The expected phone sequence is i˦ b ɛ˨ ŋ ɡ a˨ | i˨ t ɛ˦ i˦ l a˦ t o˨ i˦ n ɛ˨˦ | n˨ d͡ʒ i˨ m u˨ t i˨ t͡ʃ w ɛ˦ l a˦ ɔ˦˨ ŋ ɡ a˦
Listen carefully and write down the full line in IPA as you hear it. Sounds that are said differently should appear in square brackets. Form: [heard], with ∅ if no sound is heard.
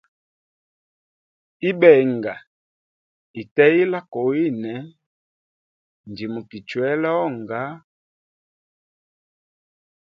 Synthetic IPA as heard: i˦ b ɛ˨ ŋ ɡ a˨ | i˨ t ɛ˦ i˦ l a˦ [k] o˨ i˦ n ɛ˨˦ | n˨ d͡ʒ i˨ m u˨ [k] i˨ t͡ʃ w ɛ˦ l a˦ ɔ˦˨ ŋ ɡ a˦